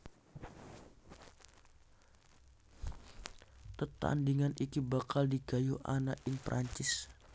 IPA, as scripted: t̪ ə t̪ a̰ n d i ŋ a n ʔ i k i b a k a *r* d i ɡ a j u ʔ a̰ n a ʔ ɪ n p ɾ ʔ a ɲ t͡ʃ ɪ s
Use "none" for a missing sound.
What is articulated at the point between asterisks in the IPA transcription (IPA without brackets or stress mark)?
l